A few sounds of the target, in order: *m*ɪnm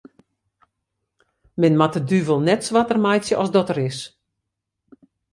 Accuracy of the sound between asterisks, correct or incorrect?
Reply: correct